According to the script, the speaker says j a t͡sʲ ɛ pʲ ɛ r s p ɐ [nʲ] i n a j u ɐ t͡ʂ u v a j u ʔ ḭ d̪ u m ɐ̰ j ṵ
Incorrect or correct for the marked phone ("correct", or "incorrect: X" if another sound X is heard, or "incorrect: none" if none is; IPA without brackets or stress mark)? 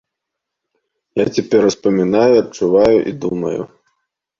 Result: incorrect: mʲ